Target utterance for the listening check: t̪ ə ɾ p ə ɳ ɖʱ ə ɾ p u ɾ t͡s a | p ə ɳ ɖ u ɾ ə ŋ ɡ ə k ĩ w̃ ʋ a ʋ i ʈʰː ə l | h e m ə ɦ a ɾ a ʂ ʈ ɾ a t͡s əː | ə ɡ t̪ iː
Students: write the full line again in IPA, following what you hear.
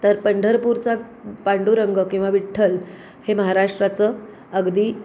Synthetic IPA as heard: t̪ ə ɾ p ə ɳ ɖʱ ə ɾ p u ɾ t͡s a | p a ɳ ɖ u ɾ ə ŋ ɡ ə k ĩ w̃ ʋ a ʋ i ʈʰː ə l | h e m ə ɦ a ɾ a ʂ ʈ ɾ a t͡s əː | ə ɡ d̪ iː